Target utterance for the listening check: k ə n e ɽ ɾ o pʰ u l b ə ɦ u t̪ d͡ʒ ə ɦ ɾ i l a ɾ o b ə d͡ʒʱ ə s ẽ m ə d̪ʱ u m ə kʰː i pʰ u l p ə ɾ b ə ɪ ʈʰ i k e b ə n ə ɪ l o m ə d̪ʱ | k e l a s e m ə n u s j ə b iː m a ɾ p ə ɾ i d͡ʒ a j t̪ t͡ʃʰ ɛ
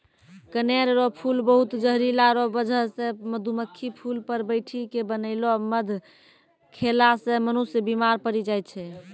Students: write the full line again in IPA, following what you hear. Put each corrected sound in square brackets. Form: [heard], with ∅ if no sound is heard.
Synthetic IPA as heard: k ə n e [ɾ] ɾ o pʰ u l b ə ɦ u t̪ d͡ʒ ə ɦ ɾ i l a ɾ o b ə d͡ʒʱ ə s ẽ m ə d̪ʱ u m ə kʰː i pʰ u l p ə ɾ b ə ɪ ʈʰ i k e b ə n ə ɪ l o m ə d̪ʱ | [kʰ] e l a s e m ə n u s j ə b [i] m a ɾ p ə ɾ i d͡ʒ a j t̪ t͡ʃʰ ɛ